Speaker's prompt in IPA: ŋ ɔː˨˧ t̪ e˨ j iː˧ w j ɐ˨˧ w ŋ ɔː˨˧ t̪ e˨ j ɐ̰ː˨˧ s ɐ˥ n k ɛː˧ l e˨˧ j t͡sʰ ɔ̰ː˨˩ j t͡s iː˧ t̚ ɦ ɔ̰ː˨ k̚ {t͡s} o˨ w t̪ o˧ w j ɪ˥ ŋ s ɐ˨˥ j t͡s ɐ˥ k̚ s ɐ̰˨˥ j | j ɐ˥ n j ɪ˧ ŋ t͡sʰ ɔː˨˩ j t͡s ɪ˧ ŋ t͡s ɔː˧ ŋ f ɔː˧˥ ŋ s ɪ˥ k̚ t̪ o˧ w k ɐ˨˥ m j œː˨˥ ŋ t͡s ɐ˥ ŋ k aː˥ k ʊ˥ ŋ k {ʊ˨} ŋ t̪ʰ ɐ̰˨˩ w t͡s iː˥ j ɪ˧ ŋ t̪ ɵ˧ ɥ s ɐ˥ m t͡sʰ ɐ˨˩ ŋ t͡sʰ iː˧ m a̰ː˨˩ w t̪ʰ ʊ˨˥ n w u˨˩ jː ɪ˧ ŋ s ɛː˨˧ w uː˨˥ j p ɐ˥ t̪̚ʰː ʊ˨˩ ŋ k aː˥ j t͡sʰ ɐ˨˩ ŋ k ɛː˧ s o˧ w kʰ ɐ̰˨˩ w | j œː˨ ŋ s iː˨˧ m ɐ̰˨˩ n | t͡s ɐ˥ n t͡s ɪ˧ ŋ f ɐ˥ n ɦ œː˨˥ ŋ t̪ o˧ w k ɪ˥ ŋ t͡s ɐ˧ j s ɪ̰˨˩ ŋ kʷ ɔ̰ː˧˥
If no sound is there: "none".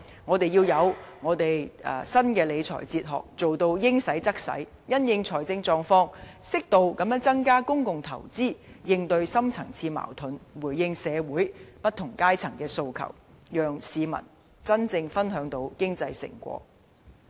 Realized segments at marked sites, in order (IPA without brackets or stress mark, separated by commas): t͡s, ʊ˨